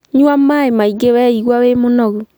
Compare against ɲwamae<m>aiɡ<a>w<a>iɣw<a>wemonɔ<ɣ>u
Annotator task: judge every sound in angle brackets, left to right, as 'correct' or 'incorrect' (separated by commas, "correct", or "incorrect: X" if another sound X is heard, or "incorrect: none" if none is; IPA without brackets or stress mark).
correct, incorrect: e, incorrect: ɛ, correct, correct